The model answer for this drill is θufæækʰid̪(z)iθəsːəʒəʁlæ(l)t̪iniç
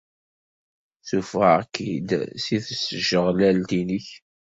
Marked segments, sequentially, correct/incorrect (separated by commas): incorrect, correct